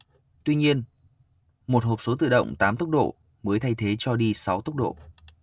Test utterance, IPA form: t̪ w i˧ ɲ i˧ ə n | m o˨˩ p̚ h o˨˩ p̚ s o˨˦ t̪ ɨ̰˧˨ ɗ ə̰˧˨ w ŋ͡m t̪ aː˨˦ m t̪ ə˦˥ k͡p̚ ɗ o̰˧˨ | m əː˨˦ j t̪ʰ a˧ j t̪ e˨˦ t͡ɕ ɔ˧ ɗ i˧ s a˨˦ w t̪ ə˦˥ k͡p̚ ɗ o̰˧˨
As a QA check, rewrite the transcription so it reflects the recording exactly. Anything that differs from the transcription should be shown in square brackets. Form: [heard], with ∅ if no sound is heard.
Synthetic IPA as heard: t̪ w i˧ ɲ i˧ ə n | m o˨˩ [t̚] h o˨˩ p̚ s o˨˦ t̪ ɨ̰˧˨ ɗ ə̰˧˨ w ŋ͡m t̪ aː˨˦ m t̪ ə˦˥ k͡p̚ ɗ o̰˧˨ | m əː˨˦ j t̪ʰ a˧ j [t̪ʰ] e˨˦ t͡ɕ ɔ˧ ɗ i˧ s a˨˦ w t̪ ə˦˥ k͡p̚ ɗ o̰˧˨

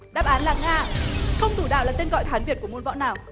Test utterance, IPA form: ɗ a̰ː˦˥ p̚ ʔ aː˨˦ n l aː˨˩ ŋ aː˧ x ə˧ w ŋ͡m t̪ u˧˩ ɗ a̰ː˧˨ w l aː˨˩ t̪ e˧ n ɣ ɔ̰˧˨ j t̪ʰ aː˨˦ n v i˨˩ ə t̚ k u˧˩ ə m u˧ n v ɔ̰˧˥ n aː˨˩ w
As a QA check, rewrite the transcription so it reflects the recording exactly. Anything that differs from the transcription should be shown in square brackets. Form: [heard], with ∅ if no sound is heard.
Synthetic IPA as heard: ɗ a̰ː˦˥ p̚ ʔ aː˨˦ n l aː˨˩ ŋ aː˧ x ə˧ w ŋ͡m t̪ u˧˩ ɗ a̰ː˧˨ w l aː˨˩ t̪ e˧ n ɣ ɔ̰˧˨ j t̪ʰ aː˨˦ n v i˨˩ ə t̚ k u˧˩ ə m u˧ n v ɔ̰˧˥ n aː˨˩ w

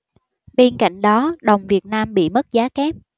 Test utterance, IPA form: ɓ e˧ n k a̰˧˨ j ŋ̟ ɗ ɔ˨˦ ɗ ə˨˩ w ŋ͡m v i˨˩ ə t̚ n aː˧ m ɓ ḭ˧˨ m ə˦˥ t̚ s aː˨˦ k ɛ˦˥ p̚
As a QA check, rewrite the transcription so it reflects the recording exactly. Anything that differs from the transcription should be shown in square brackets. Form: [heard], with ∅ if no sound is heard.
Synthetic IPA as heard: ɓ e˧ n k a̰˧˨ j ŋ̟ ɗ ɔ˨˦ ɗ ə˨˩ w ŋ͡m v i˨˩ ə t̚ n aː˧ m ɓ ḭ˧˨ m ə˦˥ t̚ [z] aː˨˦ k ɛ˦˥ p̚

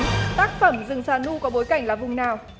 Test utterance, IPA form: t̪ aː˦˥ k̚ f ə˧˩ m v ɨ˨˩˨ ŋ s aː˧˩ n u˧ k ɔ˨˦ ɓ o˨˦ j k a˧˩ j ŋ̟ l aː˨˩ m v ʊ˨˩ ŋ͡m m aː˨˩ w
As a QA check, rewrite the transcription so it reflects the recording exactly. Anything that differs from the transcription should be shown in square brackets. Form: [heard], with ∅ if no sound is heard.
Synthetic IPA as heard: t̪ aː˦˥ k̚ f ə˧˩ m [z] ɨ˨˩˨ ŋ s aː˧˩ n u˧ k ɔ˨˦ ɓ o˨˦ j k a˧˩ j ŋ̟ l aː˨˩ [∅] v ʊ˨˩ ŋ͡m [n] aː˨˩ w

